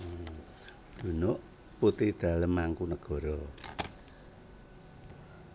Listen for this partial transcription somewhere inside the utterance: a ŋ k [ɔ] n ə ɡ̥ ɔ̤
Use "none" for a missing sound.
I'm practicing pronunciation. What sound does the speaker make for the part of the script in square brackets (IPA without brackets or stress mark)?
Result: u